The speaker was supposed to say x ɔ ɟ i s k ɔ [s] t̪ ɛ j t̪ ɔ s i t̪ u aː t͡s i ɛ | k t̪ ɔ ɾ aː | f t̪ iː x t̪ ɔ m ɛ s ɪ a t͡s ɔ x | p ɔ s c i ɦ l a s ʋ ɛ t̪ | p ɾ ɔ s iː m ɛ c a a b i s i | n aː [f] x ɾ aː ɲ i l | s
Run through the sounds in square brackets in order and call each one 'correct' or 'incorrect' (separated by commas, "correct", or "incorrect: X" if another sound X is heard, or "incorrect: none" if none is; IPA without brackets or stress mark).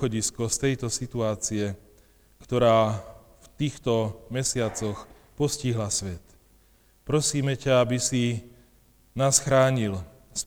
correct, incorrect: s